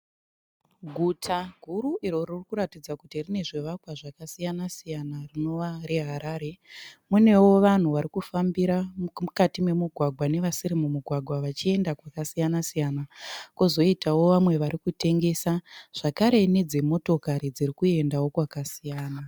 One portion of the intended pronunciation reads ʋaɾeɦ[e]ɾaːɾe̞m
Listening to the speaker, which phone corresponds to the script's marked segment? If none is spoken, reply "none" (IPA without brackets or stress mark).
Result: a